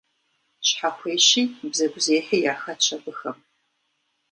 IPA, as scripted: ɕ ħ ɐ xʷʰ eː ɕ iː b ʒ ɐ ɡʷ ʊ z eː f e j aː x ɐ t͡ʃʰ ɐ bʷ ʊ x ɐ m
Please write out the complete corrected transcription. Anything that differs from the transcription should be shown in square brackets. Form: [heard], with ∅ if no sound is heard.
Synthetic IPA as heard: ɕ ħ [a] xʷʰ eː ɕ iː b [z] ɐ ɡʷ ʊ z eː [ħ] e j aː x ɐ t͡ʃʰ ɐ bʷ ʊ x ɐ m